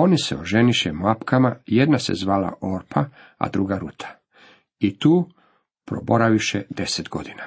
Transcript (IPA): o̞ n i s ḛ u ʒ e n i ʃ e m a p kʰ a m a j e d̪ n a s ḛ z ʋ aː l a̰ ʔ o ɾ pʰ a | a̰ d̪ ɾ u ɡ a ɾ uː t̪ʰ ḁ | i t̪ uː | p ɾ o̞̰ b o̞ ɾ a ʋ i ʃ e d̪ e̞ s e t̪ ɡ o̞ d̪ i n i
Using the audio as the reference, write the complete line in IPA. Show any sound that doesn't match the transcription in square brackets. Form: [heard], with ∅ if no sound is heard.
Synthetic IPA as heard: o̞ n i s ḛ [o] ʒ e n i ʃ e m a p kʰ a m a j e d̪ n a s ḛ z ʋ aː l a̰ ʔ o ɾ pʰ a | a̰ d̪ ɾ u ɡ a ɾ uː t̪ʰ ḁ | i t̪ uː | p ɾ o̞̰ b o̞ ɾ a ʋ i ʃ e d̪ e̞ s e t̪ ɡ o̞ d̪ i n [a]